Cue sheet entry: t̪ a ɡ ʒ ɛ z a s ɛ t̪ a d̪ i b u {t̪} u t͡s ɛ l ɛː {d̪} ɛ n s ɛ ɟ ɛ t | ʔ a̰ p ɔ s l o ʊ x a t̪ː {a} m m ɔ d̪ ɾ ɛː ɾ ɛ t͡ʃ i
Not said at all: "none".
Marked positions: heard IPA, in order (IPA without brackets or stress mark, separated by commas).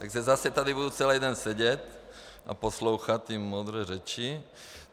d̪, d̪, i